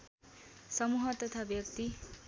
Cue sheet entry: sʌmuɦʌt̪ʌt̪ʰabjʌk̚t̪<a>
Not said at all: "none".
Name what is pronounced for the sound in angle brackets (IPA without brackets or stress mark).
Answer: i